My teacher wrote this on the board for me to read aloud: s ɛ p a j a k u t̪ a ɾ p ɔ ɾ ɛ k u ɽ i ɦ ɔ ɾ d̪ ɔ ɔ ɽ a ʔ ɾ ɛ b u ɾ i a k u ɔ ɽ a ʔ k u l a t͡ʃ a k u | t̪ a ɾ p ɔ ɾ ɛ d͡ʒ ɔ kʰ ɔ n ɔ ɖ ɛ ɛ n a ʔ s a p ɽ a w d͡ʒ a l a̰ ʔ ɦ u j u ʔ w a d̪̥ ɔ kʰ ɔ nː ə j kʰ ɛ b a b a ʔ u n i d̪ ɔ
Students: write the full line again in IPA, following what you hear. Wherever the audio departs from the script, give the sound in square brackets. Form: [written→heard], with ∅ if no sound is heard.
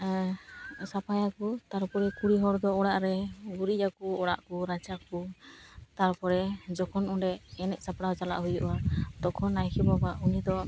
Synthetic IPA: s [ɛ→a] p a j a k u t̪ a ɾ p ɔ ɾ ɛ k u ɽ i ɦ ɔ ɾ d̪ ɔ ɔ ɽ a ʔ ɾ ɛ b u ɾ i a k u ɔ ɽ a ʔ k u [l→ɾ] a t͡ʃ a k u | t̪ a ɾ p ɔ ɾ ɛ d͡ʒ ɔ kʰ ɔ n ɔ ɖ ɛ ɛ n [a→ɛ] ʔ s a p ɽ a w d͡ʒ a l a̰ ʔ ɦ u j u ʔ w a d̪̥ ɔ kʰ ɔ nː [ə→a] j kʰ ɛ b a b a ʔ u n i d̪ ɔ